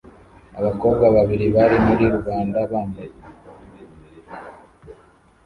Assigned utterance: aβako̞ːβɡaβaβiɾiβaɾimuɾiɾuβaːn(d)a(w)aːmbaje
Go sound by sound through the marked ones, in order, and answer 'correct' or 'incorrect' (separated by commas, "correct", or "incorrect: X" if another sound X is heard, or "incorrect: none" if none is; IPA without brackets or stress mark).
correct, incorrect: β